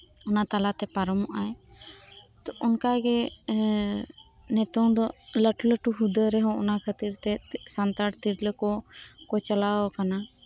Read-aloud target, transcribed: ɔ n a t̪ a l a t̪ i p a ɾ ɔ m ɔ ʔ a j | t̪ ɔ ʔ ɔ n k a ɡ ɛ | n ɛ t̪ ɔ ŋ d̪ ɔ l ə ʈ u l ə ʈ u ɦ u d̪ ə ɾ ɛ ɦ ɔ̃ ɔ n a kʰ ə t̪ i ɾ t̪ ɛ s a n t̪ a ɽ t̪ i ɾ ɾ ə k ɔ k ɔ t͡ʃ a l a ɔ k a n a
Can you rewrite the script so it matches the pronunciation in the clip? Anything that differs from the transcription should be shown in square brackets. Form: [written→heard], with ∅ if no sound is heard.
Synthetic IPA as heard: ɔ n a t̪ a l a t̪ [i→ɛ] p a ɾ ɔ m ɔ ʔ a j | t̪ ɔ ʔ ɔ n k a ɡ ɛ | n ɛ t̪ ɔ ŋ d̪ ɔ l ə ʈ u l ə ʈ u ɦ u d̪ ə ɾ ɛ ɦ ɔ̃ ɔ n a kʰ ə t̪ i ɾ t̪ ɛ s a n t̪ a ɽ t̪ i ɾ [ɾ→l] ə k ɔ k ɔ t͡ʃ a l a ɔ k a n a